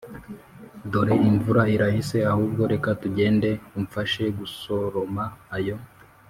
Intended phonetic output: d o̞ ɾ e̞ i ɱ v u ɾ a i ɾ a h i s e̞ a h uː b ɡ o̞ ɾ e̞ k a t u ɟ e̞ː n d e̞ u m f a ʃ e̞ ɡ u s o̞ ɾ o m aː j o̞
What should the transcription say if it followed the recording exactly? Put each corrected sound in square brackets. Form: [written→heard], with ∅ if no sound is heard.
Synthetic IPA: d o̞ ɾ e̞ i ɱ v u ɾ a i ɾ a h i s e̞ a h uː b ɡ o̞ ɾ e̞ k a t u ɟ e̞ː n d e̞ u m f a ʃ e̞ ɡ u s o̞ ɾ o m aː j o̞